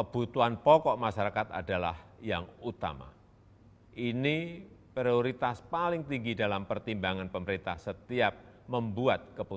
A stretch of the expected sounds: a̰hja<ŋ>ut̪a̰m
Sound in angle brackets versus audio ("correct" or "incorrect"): correct